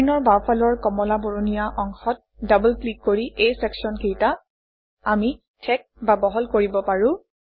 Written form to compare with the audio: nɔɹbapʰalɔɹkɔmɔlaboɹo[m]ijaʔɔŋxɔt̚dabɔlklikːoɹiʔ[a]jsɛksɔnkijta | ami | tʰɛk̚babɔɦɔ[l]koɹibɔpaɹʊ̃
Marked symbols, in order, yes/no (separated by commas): no, no, yes